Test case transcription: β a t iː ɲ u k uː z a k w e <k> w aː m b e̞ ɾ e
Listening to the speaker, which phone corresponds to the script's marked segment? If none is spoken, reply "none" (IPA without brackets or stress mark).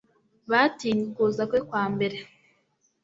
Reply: k